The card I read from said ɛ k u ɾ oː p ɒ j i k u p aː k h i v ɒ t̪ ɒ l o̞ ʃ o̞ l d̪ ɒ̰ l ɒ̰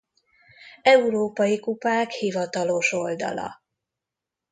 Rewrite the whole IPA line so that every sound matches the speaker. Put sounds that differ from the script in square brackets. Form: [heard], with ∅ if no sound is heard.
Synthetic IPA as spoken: ɛ [∅] u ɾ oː p ɒ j i k u p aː k h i v ɒ t̪ ɒ l o̞ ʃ o̞ l d̪ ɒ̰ l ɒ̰